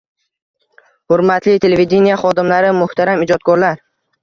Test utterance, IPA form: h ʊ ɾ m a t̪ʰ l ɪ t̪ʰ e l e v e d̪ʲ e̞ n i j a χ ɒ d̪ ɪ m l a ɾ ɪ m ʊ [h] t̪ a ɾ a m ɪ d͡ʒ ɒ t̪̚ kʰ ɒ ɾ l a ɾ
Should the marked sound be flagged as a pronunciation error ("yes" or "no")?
no